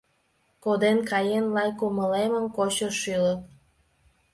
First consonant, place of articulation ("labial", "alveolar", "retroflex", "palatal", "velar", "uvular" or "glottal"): velar